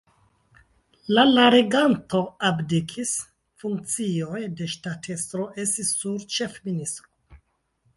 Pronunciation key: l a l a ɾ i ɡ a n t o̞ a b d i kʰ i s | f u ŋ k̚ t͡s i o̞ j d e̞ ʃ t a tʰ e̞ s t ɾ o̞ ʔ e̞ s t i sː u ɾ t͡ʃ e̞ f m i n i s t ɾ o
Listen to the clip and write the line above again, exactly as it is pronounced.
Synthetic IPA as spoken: l a l a ɾ e ɡ a n t o̞ a b d i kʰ i s | f u ŋ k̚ t͡s i o̞ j d e̞ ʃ t a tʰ e̞ s t ɾ o̞ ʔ e̞ s t i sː u ɾ t͡ʃ e̞ f m i n i s t ɾ o